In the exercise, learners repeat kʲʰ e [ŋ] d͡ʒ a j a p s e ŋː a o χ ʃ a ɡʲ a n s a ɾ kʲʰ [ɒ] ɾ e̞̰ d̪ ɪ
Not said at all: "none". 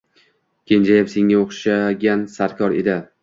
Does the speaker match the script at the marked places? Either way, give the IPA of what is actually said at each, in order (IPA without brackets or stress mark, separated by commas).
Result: n, ɒ